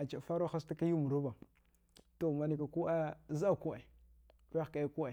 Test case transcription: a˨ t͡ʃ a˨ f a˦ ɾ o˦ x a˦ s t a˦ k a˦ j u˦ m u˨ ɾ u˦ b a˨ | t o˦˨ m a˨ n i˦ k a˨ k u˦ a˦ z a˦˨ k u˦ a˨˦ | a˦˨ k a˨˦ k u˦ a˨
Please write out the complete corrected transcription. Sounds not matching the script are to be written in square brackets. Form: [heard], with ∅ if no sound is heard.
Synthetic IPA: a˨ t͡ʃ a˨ f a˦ ɾ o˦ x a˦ s t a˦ k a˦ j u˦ m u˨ ɾ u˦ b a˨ | t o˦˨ m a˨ n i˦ k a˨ k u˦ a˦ z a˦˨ k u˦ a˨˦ | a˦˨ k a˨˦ k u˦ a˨